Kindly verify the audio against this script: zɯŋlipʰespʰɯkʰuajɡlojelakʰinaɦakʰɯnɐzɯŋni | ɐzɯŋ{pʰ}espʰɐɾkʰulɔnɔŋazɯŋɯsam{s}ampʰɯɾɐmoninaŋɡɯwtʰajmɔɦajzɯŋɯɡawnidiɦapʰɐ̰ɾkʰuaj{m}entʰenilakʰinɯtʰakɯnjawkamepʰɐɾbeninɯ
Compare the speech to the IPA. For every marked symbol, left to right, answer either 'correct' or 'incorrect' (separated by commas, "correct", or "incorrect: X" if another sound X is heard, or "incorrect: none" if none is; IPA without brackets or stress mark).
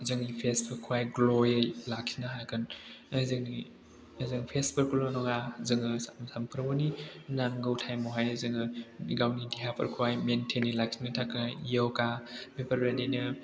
correct, correct, correct